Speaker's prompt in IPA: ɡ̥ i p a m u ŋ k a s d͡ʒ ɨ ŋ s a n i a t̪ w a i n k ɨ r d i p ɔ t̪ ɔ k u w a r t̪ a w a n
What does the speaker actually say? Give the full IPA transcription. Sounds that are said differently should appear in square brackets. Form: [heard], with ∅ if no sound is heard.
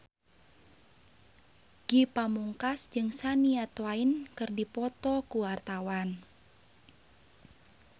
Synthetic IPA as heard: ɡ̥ i p a m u ŋ k a s d͡ʒ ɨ ŋ s a n i a t̪ w a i n k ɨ r d i p ɔ t̪ ɔ k u w a r t̪ a w a n